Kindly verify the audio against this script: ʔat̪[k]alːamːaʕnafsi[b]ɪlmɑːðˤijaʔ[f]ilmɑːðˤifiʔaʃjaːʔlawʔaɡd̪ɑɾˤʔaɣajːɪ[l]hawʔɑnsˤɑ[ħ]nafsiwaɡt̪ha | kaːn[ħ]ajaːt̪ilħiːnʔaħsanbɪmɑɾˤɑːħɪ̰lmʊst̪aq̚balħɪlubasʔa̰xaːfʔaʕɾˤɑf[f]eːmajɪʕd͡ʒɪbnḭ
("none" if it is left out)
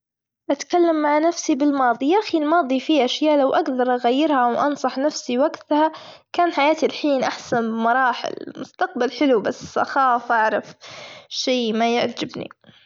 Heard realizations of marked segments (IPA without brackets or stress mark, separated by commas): k, b, x, ɾ, ħ, ħ, ʃ